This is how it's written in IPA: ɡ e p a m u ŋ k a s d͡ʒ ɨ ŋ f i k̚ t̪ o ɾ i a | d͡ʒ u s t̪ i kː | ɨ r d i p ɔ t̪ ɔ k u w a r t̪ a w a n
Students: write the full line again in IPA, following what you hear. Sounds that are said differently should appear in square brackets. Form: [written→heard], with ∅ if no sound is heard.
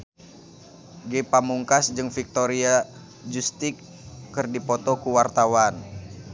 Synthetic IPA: ɡ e p a m u ŋ k a s d͡ʒ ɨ ŋ f i k̚ t̪ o ɾ i a | d͡ʒ u s t̪ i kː | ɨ r d i p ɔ t̪ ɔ k u w a r t̪ a w a n